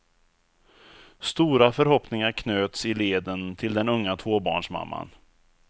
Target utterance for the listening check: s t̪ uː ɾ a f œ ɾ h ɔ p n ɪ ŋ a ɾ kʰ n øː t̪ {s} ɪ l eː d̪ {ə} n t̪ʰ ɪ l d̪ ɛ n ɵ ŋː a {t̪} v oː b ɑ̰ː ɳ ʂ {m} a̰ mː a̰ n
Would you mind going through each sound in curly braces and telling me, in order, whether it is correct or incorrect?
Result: correct, correct, incorrect, correct

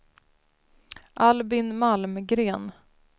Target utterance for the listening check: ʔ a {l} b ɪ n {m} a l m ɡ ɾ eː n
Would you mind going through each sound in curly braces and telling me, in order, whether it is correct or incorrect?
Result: correct, correct

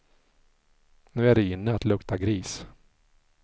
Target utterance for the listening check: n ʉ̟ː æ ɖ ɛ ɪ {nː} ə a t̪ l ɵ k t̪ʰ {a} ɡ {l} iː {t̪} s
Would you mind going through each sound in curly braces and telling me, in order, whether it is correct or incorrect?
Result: correct, correct, incorrect, incorrect

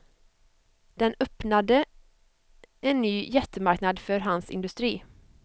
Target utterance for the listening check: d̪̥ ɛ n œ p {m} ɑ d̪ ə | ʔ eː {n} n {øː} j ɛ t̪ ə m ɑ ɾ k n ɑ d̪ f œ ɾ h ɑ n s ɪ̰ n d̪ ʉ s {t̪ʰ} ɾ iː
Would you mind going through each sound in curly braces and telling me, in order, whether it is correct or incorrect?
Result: incorrect, correct, incorrect, incorrect

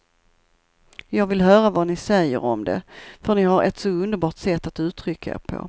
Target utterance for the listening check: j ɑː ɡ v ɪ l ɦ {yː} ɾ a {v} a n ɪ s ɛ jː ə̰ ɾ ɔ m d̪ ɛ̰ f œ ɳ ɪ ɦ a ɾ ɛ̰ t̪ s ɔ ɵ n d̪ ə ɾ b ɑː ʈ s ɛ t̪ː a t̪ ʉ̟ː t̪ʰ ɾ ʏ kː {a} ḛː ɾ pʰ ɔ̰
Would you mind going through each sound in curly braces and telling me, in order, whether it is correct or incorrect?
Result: incorrect, correct, correct

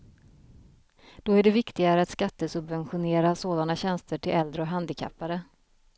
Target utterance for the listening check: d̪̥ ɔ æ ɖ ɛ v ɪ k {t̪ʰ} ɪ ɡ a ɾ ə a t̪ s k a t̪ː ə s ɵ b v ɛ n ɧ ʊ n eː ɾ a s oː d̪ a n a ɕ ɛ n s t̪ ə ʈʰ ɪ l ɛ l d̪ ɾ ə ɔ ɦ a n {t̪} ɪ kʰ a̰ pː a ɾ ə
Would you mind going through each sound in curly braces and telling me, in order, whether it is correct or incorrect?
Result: incorrect, incorrect

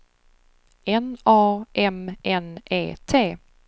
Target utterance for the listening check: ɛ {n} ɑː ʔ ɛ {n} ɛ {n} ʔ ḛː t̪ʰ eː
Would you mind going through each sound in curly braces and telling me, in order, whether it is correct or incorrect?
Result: correct, incorrect, correct

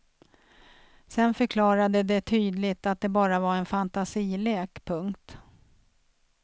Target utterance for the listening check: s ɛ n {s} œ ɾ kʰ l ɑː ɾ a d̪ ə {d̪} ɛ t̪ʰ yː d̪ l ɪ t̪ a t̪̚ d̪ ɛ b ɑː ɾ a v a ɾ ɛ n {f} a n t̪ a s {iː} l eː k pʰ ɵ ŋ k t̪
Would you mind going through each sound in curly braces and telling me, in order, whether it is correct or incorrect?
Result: incorrect, correct, correct, correct

